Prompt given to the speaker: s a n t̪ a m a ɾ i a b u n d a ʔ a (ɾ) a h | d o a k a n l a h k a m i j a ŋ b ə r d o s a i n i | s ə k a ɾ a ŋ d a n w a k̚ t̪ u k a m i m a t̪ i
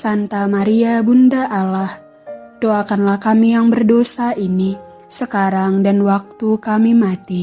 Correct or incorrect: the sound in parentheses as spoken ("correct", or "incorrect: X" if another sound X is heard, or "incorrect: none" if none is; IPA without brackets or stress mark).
incorrect: l